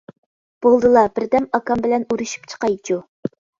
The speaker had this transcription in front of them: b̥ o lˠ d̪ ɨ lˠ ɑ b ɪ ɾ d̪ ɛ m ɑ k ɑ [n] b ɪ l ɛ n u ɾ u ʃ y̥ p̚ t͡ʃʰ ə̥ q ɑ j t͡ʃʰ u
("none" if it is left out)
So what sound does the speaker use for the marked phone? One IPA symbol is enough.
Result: m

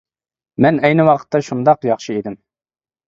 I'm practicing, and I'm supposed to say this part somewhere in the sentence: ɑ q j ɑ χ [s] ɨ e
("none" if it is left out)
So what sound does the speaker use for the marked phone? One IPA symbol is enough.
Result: ʃ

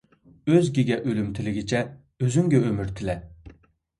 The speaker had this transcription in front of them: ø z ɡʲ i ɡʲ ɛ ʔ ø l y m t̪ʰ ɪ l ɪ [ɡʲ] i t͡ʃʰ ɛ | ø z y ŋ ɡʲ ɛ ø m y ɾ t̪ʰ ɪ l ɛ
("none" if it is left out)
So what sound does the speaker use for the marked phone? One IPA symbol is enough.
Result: ɡʲ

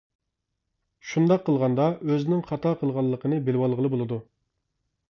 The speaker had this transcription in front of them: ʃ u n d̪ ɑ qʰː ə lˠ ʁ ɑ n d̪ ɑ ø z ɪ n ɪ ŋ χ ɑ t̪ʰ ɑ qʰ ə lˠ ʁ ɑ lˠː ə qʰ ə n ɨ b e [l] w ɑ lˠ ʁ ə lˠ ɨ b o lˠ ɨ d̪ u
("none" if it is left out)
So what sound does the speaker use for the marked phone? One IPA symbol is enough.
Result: l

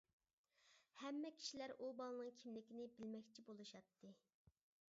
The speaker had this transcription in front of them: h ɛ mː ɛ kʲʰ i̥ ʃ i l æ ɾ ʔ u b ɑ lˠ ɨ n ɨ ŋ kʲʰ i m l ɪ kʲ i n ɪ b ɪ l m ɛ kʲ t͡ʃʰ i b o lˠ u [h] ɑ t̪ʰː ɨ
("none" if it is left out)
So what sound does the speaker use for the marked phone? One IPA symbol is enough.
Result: ʃ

